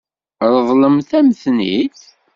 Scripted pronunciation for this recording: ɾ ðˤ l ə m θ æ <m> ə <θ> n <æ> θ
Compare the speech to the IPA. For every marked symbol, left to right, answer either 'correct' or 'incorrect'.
correct, correct, incorrect: i

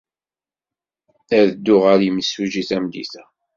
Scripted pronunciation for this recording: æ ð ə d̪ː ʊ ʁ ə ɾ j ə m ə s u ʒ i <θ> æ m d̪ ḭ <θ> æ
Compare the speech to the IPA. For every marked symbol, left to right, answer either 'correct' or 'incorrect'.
correct, correct

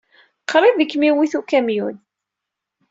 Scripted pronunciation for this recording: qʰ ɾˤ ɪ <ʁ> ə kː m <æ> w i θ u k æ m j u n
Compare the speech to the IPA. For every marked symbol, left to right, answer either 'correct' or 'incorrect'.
incorrect: ð, incorrect: i

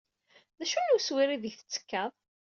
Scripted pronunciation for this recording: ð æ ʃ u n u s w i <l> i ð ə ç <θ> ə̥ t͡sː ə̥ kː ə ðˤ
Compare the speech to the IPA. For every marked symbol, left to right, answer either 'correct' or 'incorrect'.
incorrect: ɾ, correct

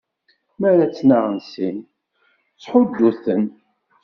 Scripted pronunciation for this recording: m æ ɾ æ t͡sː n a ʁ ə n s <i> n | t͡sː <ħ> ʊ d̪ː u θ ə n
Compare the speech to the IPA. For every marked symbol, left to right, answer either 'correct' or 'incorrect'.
correct, correct

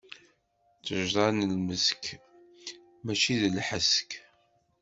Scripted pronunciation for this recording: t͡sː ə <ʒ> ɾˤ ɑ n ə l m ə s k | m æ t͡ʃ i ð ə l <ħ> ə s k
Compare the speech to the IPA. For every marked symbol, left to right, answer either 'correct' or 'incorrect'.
correct, correct

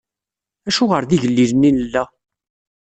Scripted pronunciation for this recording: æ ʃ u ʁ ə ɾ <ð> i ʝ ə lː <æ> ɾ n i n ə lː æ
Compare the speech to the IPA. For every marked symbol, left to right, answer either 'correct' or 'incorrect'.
correct, incorrect: i

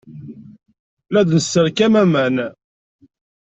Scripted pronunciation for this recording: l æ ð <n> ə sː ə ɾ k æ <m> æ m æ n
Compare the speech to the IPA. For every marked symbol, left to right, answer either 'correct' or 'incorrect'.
correct, correct

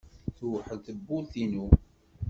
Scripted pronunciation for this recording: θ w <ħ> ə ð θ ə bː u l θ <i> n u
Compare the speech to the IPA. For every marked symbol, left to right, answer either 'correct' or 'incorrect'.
correct, correct

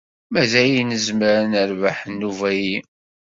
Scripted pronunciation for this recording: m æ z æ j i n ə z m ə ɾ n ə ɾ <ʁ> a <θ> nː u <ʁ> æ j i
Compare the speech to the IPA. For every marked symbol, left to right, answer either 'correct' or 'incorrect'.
incorrect: v, incorrect: ħ, incorrect: v

